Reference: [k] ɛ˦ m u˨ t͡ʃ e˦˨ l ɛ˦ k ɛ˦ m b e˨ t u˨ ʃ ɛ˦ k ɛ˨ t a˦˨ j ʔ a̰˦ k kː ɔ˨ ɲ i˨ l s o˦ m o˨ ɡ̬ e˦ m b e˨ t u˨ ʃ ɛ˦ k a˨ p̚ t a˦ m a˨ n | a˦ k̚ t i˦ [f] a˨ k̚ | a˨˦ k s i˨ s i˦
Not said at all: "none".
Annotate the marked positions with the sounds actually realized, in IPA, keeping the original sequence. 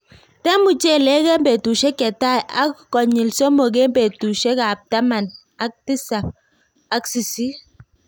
t, s

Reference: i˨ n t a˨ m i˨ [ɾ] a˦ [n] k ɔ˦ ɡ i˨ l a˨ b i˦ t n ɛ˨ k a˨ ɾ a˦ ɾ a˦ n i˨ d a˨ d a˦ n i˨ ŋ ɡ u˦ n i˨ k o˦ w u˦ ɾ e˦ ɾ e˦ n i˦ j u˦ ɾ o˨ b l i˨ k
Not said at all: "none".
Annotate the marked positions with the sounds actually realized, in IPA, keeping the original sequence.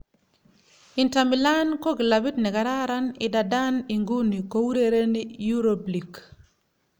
l, n

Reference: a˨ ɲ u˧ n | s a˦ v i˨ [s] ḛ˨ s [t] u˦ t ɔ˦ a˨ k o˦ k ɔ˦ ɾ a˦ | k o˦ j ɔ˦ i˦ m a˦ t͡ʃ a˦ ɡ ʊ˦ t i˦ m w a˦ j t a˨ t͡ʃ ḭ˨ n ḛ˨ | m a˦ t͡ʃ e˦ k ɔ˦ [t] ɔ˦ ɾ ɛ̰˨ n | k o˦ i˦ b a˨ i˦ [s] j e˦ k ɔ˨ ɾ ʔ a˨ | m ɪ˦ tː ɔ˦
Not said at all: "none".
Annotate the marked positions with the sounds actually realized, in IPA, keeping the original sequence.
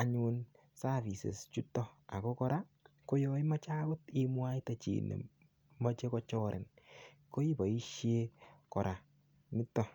s, t͡ʃ, t͡ʃ, ʃ

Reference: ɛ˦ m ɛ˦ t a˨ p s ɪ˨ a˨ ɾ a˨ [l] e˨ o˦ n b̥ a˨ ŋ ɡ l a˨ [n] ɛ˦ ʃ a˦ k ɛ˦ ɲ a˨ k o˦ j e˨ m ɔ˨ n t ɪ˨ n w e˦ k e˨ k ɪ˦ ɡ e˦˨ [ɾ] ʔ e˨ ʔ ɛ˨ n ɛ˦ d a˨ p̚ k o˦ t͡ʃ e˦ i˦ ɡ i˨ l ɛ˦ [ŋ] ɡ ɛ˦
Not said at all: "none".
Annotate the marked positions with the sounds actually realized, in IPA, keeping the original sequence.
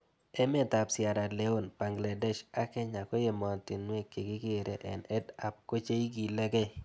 l, d, ɾ, none

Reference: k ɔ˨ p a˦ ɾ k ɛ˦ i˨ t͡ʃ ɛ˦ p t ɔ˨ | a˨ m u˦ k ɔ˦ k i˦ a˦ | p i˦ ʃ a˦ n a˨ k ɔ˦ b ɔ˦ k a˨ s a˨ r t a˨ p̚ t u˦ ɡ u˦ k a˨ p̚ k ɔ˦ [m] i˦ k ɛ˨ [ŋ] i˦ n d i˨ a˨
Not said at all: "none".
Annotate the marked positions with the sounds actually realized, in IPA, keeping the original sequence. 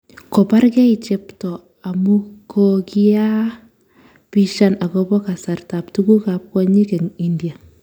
ɲ, ŋ

